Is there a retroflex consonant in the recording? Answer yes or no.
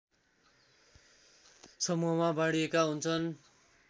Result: yes